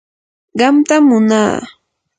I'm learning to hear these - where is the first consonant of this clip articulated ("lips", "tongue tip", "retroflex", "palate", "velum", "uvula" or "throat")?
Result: uvula